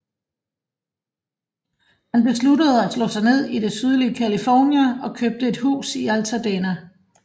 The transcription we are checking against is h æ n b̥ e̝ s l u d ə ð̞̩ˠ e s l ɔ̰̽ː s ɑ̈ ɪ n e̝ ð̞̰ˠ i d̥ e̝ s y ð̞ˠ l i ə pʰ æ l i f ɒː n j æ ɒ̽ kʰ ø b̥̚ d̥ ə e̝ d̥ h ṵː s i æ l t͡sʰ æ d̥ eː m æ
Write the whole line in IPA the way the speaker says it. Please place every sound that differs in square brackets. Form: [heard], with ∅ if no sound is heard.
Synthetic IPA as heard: h æ n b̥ e̝ s l u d ə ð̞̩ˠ [æ] s l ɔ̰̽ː s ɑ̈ ɪ n e̝ ð̞̰ˠ i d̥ e̝ s y ð̞ˠ l i ə [kʰ] æ l i f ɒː n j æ ɒ̽ kʰ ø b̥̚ d̥ ə e̝ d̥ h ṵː s i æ l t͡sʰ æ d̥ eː [n] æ